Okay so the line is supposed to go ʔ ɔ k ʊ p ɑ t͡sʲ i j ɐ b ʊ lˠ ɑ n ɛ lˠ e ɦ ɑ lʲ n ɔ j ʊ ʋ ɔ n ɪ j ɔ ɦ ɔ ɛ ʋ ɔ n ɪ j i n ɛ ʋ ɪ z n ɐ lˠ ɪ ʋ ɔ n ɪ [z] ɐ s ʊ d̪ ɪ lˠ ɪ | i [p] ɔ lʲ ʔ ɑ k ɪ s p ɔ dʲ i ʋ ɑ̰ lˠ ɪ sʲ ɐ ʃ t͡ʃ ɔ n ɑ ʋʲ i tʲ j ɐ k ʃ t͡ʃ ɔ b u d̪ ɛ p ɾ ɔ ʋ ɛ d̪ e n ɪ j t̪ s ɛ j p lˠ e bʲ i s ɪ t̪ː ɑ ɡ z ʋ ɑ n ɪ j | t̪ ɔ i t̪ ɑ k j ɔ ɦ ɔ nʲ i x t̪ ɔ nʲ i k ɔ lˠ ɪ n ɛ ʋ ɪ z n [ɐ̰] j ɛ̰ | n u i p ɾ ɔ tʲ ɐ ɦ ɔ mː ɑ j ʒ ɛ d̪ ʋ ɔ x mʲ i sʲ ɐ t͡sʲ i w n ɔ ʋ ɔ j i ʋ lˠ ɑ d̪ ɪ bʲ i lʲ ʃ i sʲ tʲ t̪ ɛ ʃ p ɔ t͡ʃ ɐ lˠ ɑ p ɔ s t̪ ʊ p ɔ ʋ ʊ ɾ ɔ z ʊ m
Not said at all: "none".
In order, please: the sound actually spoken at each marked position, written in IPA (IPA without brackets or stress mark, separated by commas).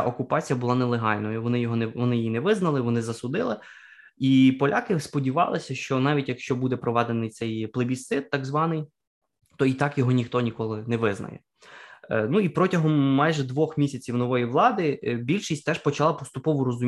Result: z, p, ɐ̰